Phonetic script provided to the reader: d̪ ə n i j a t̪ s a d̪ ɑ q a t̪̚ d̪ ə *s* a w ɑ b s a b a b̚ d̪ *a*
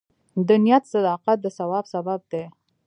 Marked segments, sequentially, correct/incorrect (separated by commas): correct, incorrect